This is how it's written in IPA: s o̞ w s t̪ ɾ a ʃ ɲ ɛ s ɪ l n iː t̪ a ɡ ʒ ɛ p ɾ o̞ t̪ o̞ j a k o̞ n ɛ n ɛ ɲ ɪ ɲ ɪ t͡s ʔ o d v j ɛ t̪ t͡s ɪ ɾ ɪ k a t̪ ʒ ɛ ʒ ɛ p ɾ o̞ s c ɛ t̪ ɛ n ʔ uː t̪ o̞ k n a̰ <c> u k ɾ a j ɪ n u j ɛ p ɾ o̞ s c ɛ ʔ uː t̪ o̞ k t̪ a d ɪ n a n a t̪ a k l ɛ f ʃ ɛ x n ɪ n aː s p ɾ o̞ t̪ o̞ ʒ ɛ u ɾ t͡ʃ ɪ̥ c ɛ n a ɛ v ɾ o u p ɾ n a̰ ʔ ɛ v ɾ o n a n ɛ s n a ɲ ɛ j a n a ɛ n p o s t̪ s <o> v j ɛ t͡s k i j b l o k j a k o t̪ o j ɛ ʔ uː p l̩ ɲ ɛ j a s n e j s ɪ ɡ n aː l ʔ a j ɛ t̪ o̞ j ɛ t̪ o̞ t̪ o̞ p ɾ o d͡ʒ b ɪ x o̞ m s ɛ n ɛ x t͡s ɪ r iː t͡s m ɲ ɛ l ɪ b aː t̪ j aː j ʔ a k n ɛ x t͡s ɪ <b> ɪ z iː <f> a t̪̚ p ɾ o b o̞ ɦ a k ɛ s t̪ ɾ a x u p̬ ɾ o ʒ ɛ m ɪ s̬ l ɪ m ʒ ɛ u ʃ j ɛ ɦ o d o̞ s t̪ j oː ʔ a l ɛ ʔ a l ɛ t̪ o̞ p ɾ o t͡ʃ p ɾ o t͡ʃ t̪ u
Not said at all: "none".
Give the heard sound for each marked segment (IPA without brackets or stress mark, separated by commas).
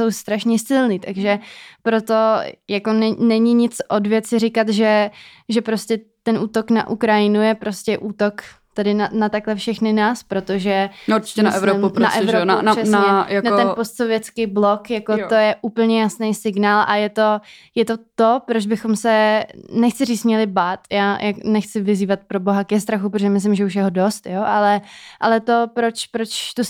ʔ, o, v, v